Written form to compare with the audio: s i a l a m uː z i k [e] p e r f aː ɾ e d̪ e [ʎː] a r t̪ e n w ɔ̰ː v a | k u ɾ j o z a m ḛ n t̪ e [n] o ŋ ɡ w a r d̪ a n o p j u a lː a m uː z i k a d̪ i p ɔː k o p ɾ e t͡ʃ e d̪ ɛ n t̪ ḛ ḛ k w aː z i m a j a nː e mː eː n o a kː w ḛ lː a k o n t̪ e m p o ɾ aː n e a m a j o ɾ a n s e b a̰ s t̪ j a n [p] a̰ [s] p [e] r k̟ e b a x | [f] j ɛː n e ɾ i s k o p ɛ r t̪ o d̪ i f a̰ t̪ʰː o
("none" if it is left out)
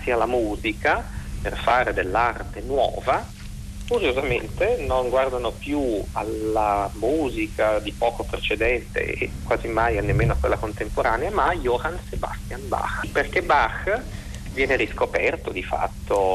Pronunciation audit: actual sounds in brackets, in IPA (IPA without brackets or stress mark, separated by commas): a, lː, n, b, x, e, v